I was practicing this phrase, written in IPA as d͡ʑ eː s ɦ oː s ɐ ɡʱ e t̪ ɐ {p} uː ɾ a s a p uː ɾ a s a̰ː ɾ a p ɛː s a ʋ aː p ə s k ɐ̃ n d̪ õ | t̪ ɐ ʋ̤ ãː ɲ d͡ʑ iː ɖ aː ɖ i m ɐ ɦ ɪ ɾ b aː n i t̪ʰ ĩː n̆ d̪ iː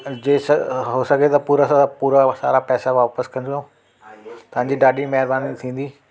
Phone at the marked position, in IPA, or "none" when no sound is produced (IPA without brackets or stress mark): p